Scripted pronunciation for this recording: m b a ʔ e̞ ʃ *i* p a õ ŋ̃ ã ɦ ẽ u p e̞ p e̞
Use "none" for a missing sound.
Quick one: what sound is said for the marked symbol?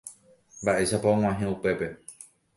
a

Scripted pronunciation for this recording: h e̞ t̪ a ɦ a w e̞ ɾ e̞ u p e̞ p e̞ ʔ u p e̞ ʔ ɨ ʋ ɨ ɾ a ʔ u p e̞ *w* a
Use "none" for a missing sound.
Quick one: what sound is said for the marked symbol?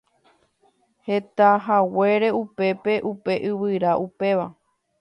ʋ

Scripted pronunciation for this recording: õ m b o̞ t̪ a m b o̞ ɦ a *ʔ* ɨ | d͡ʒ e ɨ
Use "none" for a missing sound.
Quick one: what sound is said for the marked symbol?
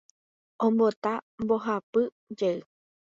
p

